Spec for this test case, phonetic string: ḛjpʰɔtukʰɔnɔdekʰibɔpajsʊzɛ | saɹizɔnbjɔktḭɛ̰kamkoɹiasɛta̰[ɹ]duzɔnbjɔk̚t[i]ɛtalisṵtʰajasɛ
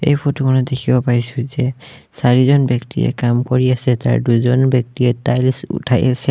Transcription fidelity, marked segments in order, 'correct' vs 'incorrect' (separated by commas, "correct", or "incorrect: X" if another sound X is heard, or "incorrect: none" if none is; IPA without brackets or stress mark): correct, correct